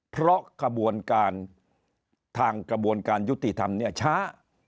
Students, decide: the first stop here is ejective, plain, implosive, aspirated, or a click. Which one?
aspirated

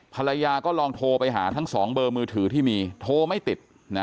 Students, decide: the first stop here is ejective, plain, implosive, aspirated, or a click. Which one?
aspirated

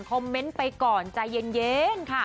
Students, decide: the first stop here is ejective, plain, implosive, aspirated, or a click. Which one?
aspirated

